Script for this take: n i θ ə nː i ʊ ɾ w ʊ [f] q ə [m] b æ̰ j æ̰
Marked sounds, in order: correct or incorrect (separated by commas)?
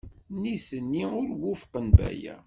correct, incorrect